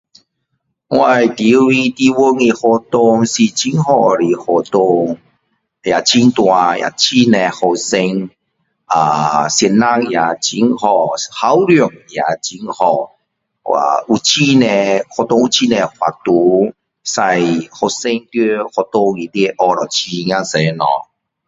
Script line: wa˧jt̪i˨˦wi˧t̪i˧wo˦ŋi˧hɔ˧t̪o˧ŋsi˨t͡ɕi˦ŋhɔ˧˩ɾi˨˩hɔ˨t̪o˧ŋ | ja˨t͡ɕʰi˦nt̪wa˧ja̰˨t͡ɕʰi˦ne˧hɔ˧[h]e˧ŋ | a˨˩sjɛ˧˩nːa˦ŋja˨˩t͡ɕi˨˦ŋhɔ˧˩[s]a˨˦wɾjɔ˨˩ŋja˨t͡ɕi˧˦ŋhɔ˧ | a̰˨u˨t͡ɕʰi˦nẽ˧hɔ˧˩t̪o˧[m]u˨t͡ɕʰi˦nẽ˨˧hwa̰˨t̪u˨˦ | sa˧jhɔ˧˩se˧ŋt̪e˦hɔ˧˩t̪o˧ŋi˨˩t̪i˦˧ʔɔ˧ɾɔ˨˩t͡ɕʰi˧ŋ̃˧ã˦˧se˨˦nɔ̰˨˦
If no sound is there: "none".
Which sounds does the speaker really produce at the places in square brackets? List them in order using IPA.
s, h, ŋ

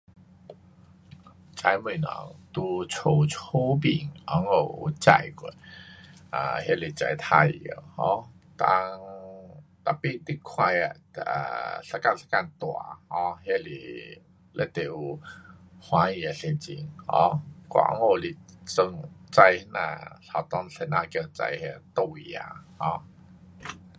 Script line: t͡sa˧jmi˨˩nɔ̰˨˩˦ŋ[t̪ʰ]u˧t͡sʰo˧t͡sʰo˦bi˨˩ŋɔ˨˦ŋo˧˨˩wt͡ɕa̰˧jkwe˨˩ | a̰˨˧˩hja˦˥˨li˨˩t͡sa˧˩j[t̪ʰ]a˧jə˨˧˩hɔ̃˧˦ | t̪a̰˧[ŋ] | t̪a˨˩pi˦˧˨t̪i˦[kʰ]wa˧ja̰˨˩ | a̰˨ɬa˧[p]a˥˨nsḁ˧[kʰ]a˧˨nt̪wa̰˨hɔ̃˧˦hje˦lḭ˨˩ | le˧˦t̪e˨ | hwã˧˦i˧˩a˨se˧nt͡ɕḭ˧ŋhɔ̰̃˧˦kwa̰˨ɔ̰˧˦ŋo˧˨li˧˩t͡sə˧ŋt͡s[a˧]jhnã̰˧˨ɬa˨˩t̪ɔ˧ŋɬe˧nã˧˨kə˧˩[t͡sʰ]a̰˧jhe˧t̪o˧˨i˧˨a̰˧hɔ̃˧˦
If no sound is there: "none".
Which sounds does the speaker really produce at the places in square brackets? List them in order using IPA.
t̪, t̪ʰ, ŋ, kʰ, k, k, a˧, t͡s

